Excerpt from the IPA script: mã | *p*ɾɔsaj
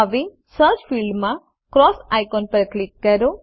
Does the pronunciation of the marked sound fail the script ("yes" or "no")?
yes